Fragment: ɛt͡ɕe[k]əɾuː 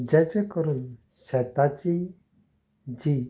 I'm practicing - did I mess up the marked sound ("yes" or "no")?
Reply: no